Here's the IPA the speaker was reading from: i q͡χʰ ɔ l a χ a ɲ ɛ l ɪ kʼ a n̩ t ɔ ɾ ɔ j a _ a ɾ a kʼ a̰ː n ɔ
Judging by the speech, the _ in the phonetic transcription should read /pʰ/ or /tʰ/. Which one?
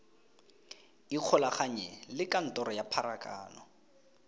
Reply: pʰ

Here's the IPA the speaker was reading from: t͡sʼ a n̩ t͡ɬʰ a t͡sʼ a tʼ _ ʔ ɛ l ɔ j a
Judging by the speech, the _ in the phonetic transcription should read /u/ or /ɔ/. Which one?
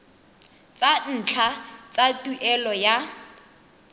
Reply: u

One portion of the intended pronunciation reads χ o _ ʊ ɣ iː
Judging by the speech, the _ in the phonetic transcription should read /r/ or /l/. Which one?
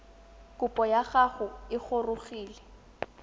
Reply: r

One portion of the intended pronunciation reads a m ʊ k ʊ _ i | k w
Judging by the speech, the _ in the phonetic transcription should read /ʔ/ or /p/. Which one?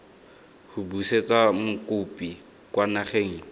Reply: p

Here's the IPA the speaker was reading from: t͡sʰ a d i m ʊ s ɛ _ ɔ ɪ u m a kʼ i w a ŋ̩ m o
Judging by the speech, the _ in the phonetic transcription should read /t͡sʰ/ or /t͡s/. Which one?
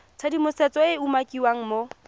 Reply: t͡s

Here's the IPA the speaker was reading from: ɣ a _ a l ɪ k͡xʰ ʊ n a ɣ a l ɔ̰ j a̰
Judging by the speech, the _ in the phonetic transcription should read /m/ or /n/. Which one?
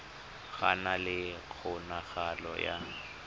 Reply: n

